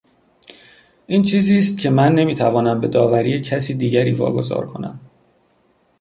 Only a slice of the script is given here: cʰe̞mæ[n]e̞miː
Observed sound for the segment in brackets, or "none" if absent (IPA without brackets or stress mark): nː